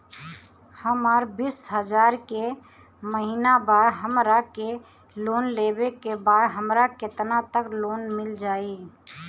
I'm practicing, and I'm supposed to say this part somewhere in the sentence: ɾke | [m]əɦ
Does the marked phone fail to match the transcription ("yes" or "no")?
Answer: no